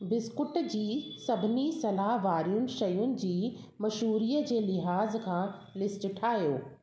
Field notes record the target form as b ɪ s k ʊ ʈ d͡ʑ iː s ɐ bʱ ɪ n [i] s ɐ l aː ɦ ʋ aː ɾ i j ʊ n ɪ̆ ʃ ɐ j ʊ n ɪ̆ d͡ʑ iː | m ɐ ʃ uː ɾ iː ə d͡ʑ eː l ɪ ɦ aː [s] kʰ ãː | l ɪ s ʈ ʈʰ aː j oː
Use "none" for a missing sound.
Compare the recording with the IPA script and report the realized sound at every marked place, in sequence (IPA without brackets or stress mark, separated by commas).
i, z